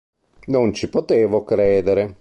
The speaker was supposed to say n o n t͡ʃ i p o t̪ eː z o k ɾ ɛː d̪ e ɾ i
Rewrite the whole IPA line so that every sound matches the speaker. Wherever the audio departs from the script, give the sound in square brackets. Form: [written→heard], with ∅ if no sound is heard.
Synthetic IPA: n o n t͡ʃ i p o t̪ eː [z→v] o k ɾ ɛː d̪ e ɾ [i→e]